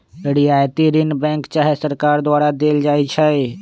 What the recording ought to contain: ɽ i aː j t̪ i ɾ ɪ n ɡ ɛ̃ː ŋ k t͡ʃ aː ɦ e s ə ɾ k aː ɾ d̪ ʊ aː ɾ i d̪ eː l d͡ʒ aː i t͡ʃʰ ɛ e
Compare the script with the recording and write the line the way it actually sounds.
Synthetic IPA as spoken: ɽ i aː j t̪ i ɾ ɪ n b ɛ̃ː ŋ k t͡ʃ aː ɦ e s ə ɾ k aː ɾ d̪ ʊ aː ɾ a d̪ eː l d͡ʒ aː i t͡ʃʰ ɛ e